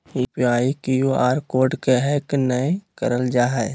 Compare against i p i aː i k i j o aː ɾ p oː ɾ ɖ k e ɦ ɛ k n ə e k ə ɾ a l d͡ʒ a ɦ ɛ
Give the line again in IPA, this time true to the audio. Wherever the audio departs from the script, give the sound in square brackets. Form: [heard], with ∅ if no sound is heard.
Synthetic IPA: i p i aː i k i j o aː ɾ [k] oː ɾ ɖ k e ɦ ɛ k n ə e k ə ɾ [ə] l d͡ʒ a ɦ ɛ